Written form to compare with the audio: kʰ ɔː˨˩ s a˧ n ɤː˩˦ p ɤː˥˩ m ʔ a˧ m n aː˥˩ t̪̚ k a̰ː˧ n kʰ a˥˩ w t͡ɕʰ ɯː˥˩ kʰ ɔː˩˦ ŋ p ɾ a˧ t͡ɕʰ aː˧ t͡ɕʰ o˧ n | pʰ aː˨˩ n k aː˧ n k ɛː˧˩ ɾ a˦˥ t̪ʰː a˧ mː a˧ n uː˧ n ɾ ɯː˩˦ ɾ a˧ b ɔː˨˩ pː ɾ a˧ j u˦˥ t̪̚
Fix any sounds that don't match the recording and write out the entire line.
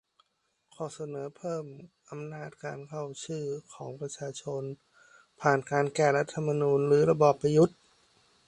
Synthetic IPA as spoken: kʰ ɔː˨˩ s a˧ n ɤː˩˦ pʰ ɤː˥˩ m ʔ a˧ m n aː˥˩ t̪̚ k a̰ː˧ n kʰ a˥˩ w t͡ɕʰ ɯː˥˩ kʰ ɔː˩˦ ŋ p ɾ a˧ t͡ɕʰ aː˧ t͡ɕʰ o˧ n | pʰ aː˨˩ n k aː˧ n k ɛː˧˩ ɾ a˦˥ t̪ʰː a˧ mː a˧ n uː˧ n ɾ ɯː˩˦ ɾ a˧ b ɔː˨˩ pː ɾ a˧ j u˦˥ t̪̚